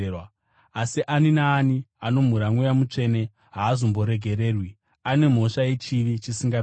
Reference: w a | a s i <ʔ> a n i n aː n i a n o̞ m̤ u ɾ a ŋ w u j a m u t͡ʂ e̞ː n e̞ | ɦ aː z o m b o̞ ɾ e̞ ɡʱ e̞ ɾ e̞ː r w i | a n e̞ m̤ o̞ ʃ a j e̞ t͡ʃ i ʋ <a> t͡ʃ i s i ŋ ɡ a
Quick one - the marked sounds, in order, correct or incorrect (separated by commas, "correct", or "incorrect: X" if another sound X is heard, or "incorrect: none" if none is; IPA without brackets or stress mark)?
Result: correct, incorrect: i